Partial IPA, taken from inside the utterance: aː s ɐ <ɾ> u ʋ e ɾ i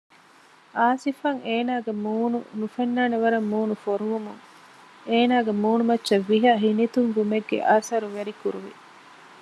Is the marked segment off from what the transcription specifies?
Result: no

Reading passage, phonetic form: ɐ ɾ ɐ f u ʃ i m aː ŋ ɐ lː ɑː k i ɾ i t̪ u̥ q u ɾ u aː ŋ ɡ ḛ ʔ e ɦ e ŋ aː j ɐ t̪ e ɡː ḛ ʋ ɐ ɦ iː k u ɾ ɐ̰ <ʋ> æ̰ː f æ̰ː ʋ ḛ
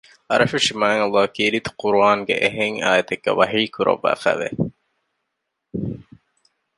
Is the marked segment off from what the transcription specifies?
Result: yes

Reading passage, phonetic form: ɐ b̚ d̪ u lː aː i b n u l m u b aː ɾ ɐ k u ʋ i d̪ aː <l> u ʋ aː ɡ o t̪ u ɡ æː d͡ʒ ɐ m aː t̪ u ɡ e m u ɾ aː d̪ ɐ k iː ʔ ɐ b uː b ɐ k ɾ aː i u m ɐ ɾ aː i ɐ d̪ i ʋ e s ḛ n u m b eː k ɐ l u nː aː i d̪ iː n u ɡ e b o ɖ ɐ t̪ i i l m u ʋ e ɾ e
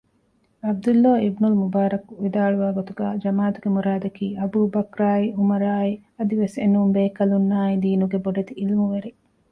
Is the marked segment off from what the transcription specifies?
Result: yes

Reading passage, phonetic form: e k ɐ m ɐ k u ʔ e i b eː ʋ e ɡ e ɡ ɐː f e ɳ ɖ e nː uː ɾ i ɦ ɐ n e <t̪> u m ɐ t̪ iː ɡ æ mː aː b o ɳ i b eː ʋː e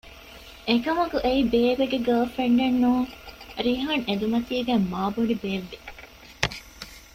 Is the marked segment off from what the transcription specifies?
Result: yes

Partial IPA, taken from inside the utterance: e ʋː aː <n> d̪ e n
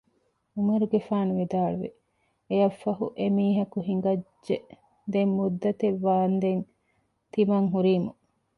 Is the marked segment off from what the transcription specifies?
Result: no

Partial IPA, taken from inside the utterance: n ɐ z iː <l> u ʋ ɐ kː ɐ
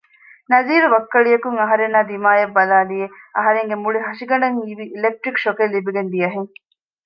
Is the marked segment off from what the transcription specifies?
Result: yes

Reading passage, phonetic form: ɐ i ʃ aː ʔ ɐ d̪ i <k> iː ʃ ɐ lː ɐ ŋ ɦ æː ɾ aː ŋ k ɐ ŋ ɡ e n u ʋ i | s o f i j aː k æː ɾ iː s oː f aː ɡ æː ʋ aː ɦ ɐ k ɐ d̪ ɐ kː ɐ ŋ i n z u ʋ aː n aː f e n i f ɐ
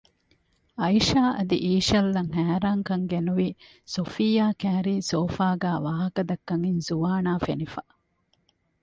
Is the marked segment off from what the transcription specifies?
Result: yes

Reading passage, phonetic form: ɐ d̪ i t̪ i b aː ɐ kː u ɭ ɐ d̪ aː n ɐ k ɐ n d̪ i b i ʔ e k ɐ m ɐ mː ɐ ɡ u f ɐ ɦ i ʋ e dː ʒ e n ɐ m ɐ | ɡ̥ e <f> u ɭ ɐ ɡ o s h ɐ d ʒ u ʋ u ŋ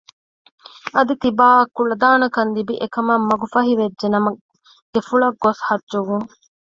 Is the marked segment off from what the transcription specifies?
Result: no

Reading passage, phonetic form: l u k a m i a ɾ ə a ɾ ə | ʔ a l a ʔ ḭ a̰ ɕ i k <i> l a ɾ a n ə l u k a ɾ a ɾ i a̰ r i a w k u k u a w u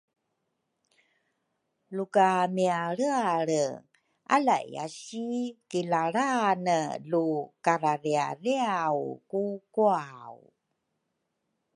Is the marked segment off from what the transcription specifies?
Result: no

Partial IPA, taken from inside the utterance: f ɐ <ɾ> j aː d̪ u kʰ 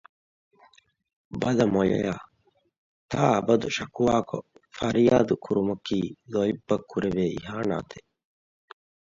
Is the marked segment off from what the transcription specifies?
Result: no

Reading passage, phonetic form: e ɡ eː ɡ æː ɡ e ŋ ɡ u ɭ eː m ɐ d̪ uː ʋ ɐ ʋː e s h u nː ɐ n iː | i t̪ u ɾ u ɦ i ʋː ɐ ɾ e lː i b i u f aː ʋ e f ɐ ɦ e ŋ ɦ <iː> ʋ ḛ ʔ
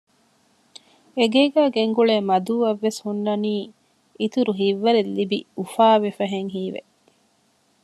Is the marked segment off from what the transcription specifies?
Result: no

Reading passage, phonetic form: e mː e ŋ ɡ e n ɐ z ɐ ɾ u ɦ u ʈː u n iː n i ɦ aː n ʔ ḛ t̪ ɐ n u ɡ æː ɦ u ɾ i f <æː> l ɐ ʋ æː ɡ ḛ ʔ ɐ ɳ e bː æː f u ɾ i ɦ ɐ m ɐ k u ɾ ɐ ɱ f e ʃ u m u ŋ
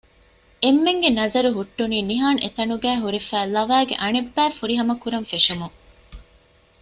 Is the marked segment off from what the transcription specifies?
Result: no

